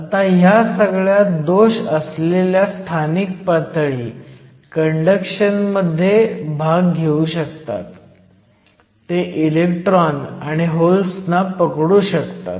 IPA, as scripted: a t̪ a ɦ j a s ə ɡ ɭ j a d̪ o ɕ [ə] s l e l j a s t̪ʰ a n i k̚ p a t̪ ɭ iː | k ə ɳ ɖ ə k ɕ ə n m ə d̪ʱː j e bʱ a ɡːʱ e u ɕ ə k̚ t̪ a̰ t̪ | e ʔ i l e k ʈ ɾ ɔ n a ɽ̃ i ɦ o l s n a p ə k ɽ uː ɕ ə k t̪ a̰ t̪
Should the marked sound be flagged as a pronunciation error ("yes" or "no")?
no